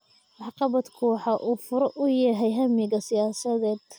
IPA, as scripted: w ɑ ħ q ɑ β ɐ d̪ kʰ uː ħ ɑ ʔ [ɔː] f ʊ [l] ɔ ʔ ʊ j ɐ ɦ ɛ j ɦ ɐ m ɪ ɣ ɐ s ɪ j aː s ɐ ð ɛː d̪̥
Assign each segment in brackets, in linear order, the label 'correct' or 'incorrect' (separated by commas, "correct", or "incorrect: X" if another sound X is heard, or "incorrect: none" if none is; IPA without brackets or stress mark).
incorrect: uː, incorrect: ɾ